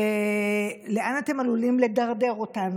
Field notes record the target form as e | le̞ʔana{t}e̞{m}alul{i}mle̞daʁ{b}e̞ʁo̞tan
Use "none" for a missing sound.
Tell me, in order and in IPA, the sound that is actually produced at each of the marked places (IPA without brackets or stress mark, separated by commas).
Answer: t, m, i, d